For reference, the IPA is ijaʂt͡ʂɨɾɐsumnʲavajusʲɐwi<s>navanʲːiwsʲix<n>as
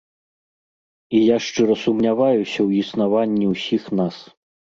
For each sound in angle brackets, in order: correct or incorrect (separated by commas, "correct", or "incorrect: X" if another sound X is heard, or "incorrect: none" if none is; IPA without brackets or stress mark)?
correct, correct